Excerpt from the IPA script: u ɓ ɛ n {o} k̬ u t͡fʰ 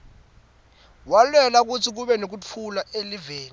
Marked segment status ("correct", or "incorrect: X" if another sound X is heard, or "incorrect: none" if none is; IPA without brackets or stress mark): correct